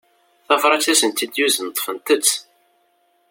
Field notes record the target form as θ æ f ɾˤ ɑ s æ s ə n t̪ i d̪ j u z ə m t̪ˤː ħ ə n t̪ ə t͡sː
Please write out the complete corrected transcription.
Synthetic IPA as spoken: θ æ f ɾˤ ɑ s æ s ə n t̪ i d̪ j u z ə n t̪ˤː f ə n t̪ ə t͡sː

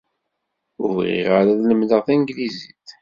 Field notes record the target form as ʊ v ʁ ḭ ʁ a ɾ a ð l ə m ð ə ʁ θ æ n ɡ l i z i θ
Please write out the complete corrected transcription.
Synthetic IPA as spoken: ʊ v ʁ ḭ ʁ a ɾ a ð l ə m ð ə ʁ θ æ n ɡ l i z i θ

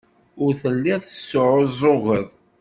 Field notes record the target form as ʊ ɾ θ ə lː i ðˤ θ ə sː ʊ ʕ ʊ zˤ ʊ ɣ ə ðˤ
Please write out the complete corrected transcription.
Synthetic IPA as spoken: ʊ ɾ θ ə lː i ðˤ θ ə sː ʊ ʕ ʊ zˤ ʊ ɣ ə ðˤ

